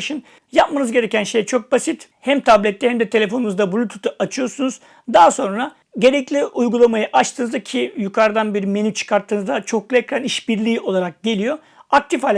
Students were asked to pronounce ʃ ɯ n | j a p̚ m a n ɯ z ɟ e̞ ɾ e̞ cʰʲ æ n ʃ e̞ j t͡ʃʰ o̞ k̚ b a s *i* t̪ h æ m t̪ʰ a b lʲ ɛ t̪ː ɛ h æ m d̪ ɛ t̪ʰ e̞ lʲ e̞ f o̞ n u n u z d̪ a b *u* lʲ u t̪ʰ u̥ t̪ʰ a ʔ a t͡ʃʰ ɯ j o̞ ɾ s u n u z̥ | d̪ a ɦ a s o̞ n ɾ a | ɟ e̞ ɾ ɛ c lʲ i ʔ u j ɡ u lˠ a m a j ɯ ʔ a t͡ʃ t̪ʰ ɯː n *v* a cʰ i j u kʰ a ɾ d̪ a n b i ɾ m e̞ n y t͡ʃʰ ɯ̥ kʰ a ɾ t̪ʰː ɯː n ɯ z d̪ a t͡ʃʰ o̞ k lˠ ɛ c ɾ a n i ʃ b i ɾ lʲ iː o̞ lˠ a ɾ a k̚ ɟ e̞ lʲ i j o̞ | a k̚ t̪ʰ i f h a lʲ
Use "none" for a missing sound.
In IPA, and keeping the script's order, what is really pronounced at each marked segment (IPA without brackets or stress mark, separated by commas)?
i, u, z